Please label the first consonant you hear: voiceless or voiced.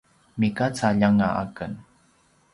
voiced